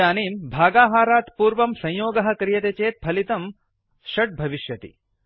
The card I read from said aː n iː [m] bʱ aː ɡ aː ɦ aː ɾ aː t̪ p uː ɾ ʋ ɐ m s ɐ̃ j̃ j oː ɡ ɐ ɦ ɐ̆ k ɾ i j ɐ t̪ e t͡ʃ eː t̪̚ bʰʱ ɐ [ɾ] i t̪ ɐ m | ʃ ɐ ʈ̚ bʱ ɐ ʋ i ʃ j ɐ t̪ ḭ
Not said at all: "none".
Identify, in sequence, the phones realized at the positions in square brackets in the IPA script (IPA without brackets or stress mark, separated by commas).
m, l